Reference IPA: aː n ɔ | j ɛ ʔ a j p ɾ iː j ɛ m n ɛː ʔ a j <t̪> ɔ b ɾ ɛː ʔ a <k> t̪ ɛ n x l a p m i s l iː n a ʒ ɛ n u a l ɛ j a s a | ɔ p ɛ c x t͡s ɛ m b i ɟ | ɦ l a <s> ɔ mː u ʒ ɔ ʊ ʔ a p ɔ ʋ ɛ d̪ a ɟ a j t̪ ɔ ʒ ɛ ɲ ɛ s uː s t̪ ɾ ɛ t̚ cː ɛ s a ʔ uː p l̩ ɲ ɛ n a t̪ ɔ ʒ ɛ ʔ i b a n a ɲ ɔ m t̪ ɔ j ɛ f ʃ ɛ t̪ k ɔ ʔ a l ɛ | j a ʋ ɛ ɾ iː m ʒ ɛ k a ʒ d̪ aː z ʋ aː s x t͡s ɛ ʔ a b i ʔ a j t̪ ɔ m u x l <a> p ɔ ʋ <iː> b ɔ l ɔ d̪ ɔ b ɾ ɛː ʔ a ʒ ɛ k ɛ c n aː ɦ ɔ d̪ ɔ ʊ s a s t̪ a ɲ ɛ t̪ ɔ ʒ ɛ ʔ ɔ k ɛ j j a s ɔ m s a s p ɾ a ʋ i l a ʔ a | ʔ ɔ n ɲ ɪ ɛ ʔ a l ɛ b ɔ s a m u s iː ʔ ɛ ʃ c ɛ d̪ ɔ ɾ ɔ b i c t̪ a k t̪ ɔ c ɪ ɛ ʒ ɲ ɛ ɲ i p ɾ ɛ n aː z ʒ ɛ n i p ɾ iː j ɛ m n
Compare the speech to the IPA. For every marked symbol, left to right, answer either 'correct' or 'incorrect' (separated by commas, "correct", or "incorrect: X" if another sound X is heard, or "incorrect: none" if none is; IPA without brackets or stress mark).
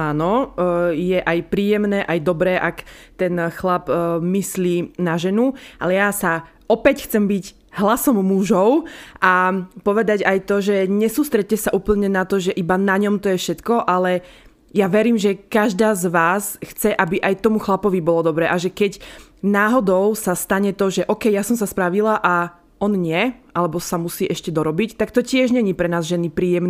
incorrect: d̪, correct, correct, correct, incorrect: i